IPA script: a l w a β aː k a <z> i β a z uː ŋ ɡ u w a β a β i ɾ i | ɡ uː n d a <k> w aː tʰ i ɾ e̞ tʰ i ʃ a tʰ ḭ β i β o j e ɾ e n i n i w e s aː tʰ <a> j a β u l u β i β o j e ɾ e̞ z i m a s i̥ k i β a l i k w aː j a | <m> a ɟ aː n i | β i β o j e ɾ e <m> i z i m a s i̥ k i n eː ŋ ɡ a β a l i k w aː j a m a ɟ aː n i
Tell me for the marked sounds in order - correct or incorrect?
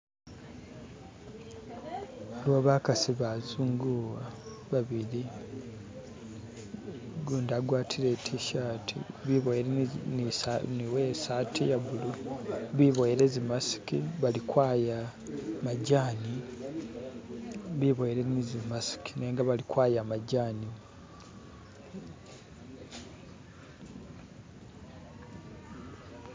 incorrect: s, incorrect: ɡ, incorrect: i, correct, incorrect: n

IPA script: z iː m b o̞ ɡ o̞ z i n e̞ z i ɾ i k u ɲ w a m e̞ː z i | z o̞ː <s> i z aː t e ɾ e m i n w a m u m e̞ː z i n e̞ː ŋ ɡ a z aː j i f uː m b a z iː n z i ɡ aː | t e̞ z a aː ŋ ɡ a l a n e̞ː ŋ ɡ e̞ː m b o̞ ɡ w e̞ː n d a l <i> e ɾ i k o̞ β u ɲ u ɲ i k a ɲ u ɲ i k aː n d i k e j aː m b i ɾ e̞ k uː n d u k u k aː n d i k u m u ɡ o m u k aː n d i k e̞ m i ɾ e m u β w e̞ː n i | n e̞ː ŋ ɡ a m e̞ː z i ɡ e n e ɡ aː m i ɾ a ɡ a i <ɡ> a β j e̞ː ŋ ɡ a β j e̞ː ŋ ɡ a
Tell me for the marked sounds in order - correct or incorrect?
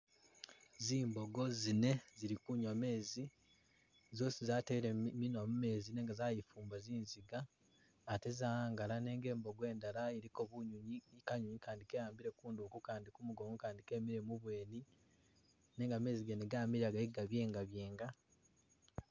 correct, incorrect: a, correct

